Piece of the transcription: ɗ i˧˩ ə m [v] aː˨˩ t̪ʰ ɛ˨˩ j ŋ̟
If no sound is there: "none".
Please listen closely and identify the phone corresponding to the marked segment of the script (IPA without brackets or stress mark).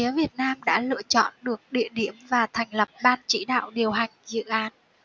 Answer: v